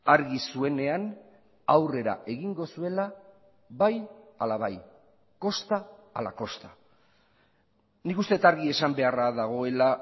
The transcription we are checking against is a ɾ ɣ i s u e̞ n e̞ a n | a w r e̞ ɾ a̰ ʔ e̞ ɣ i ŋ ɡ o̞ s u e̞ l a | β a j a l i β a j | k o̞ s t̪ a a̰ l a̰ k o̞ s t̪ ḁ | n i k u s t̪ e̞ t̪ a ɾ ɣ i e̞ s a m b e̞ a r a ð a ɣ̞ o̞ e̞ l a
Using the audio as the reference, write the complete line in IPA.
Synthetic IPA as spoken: a ɾ ɣ i s u e̞ n e̞ a n | a w r e̞ ɾ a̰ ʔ e̞ ɣ i ŋ ɡ o̞ s u e̞ l a | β a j a l a β a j | k o̞ s t̪ a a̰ l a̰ k o̞ s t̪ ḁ | n i k u s t̪ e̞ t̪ a ɾ ɣ i e̞ s a m b e̞ a r a ð a ɣ̞ o̞ e̞ l a

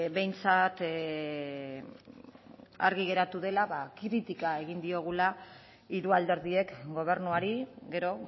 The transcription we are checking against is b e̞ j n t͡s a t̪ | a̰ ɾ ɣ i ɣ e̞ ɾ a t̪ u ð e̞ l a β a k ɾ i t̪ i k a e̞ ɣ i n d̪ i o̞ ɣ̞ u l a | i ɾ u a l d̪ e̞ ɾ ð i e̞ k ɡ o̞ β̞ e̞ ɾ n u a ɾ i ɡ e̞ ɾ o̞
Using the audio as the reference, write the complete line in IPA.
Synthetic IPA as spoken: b e̞ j n t͡s a t̪ | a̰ ɾ ɣ i ɣ e̞ ɾ a t̪ u ð e̞ l a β a k ɾ i t̪ i k a e̞ ɣ i n d̪ i o̞ ɣ̞ u l a | i ɾ u a l d̪ e̞ ɾ ð i e̞ k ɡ o̞ β̞ e̞ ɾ n u a ɾ i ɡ e̞ ɾ o̞

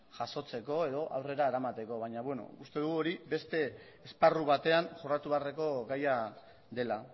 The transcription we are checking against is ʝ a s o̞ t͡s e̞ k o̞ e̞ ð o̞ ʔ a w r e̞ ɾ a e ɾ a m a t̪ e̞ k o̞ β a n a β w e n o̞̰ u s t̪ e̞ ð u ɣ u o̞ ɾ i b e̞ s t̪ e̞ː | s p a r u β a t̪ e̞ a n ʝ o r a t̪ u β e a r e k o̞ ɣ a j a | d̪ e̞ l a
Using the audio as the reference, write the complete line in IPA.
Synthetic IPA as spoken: ʝ a s o̞ t͡s e̞ k o̞ e̞ ð o̞ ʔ a w r e̞ ɾ a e ɾ a m a t̪ e̞ k o̞ β a ɲ a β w e n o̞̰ u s t̪ e̞ ð u ɣ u o̞ ɾ i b e̞ s t̪ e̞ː | s p a r u β a t̪ e̞ a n ʝ o r a t̪ u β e a r e k o̞ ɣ a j a | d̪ e̞ l a

